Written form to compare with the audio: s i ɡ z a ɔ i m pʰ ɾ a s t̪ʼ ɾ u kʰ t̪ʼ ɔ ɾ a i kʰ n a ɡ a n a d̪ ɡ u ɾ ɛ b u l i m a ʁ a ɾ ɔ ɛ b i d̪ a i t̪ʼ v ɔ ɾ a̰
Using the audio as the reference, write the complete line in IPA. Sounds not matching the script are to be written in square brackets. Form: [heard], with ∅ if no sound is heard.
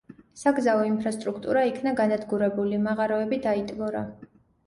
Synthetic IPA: s [a] ɡ z a ɔ i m pʰ ɾ a s t̪ʼ ɾ u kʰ t̪ʼ [u] ɾ a i kʰ n a ɡ a n a d̪ ɡ u ɾ ɛ b u l i m a ʁ a ɾ ɔ ɛ b i d̪ a i t̪ʼ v ɔ ɾ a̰